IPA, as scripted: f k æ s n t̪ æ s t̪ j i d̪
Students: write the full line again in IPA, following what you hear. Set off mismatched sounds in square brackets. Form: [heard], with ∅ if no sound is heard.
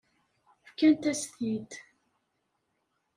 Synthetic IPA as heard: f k æ [∅] n t̪ æ s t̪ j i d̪

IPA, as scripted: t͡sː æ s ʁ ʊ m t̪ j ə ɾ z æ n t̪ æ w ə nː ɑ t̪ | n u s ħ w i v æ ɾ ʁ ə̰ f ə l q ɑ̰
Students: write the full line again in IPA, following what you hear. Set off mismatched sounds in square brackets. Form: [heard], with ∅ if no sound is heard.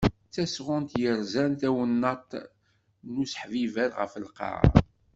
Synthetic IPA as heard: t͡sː æ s ʁ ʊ [n] t̪ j ə ɾ z æ n t̪ æ w ə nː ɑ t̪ | n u s ħ [v] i v æ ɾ ʁ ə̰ f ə l q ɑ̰

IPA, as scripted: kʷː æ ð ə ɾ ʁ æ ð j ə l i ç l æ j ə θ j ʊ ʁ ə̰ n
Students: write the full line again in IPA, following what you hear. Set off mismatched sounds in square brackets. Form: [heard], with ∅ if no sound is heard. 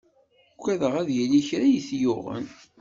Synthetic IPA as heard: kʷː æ ð ə [∅] ʁ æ ð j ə l i ç [ɾ] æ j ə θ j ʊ ʁ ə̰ n

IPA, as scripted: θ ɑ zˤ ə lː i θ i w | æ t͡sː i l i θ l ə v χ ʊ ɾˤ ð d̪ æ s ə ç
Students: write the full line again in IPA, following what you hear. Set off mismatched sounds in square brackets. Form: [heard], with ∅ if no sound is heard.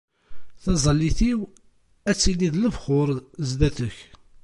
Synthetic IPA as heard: θ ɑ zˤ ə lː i θ i w | æ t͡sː i l i [ð] l ə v χ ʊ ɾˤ [z] d̪ æ [θ] ə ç

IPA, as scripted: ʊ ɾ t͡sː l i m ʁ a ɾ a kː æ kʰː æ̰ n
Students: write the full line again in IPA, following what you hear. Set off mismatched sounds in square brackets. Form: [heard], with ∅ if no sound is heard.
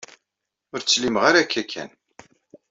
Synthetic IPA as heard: ʊ ɾ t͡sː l i m ʁ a ɾ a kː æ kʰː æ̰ n

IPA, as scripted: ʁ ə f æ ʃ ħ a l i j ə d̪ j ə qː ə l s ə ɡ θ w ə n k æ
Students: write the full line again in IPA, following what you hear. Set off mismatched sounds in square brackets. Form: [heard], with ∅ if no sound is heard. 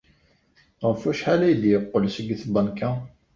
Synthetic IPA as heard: ʁ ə f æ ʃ ħ a l [æ] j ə d̪ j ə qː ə l s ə ɡ θ [b] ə n k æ

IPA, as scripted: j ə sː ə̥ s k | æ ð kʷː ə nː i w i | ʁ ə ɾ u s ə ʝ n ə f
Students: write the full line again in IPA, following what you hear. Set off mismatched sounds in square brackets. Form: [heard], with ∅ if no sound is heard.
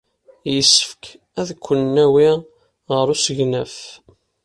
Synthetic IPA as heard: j ə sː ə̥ [f] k | æ ð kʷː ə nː [æ] w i | ʁ ə ɾ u s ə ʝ n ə f

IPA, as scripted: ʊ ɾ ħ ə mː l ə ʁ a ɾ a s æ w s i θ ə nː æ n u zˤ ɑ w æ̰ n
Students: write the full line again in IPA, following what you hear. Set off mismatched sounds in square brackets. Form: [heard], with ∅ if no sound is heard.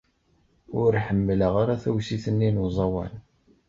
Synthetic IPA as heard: ʊ ɾ ħ ə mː l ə ʁ a ɾ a [θ] æ w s i θ ə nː [i] n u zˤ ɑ w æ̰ n

